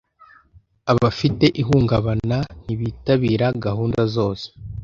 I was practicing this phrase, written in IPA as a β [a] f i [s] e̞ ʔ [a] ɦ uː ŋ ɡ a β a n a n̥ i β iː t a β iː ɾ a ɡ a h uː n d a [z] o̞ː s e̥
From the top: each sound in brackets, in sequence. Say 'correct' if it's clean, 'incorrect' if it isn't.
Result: correct, incorrect: t, incorrect: i, correct

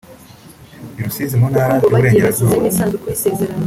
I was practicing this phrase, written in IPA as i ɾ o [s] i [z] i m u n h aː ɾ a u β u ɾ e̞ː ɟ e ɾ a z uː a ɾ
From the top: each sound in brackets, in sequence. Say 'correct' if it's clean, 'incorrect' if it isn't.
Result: correct, correct

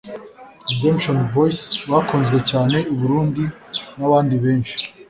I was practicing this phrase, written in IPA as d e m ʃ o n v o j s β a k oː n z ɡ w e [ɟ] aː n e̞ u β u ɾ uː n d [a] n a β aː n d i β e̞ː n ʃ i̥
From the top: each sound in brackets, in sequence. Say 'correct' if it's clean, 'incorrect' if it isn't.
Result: incorrect: c, incorrect: i

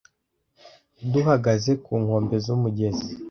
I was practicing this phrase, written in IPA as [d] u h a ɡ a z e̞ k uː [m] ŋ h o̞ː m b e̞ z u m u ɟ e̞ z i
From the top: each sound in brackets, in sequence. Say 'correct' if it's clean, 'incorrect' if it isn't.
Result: correct, incorrect: none

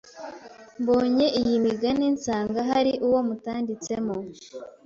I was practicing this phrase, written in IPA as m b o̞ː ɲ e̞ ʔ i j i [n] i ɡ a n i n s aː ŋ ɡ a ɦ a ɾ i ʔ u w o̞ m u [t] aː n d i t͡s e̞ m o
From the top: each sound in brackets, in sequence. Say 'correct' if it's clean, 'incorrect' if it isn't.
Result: incorrect: m, correct

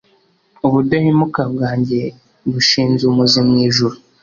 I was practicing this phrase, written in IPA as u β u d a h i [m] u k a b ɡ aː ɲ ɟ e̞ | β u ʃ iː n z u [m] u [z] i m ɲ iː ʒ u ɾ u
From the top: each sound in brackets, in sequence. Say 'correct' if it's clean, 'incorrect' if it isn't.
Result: correct, correct, correct

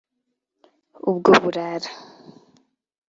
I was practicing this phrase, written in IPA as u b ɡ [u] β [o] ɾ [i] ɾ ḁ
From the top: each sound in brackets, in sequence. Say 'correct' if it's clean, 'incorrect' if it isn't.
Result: incorrect: o, incorrect: u, incorrect: a

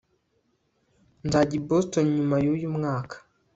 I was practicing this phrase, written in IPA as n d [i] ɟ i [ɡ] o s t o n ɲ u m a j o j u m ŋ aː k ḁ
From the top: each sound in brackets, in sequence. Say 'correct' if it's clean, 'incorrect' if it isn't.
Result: incorrect: a, incorrect: b

